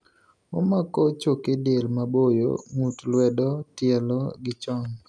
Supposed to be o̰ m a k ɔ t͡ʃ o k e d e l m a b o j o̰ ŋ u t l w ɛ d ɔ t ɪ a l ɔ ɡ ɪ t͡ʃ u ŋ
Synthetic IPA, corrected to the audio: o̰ m a k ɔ t͡ʃ o k e d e l m a b o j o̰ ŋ u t l w ɛ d ɔ t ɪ ɛ l ɔ ɡ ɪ t͡ʃ ɔ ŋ